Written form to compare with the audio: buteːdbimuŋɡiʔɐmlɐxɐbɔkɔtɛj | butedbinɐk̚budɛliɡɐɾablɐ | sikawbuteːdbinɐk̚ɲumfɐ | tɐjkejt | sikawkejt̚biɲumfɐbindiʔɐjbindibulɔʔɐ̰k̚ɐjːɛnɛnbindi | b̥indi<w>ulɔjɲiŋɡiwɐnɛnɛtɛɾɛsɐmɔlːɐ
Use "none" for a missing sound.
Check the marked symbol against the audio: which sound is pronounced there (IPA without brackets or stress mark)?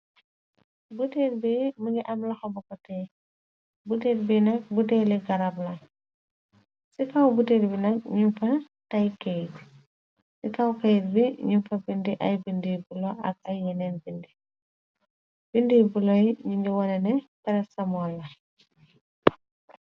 b